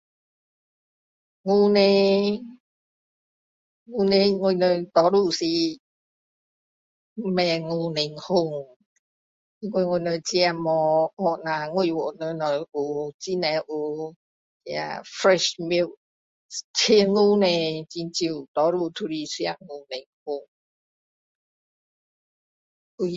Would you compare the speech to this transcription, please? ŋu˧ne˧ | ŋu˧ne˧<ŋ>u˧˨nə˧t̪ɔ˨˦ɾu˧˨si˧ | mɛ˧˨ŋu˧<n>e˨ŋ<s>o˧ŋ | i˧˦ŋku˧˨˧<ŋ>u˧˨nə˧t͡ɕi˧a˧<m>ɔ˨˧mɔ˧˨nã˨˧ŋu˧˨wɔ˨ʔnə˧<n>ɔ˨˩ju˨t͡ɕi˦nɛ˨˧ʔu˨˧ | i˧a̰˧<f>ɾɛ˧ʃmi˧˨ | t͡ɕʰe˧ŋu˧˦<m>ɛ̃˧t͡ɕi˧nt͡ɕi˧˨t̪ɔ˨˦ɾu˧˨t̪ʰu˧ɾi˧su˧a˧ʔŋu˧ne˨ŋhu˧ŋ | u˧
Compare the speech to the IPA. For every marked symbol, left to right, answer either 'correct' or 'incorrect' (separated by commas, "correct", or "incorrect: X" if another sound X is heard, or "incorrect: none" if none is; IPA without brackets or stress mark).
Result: correct, correct, incorrect: h, correct, correct, correct, correct, incorrect: n